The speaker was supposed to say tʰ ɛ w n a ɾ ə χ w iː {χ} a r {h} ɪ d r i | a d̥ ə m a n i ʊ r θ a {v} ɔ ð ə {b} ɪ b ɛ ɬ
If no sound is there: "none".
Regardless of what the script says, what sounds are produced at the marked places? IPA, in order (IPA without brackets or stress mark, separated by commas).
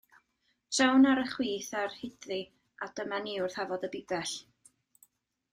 θ, h, v, b